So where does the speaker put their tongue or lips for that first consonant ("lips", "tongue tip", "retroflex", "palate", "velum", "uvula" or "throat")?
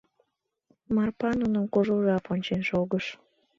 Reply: lips